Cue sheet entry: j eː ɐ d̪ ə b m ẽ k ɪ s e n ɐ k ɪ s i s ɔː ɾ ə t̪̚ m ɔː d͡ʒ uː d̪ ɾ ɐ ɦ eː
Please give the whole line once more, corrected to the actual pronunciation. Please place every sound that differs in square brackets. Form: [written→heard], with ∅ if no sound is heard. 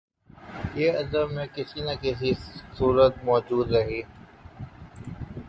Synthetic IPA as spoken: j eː ɐ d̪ ə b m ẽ k ɪ s [e→i] n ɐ k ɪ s i s [ɔː→uː] ɾ ə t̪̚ m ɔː d͡ʒ uː d̪ ɾ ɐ ɦ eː